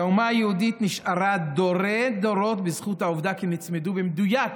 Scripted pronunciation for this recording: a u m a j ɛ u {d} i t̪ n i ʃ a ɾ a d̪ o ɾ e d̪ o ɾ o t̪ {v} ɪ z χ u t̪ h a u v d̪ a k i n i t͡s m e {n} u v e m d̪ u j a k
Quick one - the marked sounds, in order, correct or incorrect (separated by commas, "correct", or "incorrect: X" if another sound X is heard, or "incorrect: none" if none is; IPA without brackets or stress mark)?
correct, incorrect: b, incorrect: d